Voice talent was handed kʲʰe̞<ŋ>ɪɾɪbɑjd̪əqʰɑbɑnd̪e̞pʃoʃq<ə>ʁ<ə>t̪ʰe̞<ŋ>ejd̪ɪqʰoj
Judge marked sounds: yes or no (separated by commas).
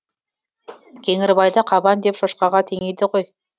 yes, no, no, yes